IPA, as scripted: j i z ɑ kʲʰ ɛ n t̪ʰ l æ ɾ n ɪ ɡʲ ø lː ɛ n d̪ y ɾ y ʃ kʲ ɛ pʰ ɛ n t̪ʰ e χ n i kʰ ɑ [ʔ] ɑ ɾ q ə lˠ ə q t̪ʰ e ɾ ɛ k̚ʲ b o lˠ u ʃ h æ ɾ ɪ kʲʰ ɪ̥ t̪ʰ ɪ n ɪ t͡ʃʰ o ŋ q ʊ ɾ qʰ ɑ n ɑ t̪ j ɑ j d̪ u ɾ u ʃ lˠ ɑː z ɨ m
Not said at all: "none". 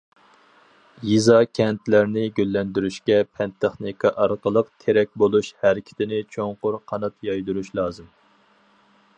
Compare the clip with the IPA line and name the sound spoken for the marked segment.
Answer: ʔ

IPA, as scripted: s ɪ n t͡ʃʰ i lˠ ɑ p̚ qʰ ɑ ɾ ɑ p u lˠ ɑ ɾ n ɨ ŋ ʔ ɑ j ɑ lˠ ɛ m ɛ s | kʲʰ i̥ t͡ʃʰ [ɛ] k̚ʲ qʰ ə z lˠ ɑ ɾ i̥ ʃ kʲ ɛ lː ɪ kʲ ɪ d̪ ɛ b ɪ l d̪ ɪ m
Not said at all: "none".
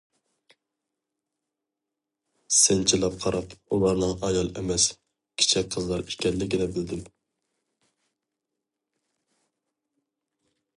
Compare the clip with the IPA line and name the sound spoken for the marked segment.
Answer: ɛ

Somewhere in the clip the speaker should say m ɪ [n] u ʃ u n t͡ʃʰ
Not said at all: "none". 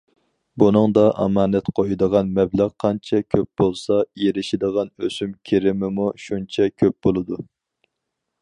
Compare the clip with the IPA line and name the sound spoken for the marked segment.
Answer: m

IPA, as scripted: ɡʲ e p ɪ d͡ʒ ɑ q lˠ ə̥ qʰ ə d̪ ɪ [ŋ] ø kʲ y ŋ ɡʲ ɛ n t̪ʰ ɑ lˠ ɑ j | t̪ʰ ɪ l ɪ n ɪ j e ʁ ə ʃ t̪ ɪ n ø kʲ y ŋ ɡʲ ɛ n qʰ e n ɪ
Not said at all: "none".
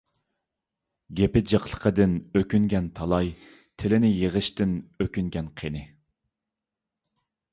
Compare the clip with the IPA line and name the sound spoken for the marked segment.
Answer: n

